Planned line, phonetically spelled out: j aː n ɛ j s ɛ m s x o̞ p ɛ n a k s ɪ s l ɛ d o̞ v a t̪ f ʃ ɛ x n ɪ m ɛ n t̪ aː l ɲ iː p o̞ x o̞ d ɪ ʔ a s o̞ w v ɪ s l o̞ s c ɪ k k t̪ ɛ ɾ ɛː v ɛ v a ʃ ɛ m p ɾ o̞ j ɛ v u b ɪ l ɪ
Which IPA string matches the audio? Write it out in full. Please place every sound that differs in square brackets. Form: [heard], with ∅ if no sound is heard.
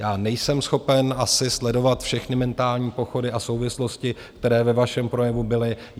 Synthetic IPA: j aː n ɛ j s ɛ m s x o̞ p ɛ n a [∅] s ɪ s l ɛ d o̞ v a t̪ f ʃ ɛ x n ɪ m ɛ n t̪ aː l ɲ iː p o̞ x o̞ d ɪ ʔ a s o̞ w v ɪ s l o̞ s c ɪ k k t̪ ɛ ɾ ɛː v ɛ v a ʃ ɛ m p ɾ o̞ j ɛ v u b ɪ l ɪ